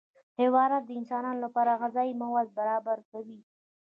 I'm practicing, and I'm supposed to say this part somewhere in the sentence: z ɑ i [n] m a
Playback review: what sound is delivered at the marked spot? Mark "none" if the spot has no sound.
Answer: none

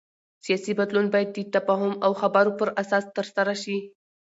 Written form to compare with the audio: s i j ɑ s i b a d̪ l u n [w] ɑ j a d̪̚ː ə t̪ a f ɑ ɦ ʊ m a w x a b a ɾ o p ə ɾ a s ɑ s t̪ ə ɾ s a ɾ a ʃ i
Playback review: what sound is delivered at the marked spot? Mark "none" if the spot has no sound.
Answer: b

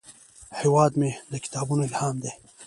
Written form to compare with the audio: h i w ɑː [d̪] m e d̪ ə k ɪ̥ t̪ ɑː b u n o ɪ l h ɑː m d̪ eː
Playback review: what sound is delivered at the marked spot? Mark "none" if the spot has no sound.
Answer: d̪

